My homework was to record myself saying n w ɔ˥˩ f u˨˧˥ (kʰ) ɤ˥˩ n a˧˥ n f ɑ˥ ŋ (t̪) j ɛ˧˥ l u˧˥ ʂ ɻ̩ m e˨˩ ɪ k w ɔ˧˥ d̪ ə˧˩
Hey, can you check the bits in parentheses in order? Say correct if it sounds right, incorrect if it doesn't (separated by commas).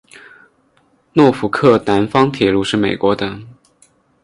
correct, incorrect